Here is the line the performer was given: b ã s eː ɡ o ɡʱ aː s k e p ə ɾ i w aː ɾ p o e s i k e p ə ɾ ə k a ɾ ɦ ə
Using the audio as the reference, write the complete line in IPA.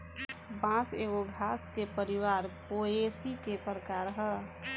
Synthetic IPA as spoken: b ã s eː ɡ o ɡʱ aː s k e p ə ɾ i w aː ɾ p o e s i k e p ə ɾ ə k a ɾ ɦ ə